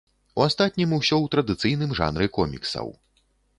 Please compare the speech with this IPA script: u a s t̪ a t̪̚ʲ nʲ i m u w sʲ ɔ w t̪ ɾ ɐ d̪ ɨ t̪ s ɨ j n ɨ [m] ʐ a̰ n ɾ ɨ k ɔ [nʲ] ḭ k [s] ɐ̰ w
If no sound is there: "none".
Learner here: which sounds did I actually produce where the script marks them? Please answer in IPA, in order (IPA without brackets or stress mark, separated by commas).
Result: m, mʲ, s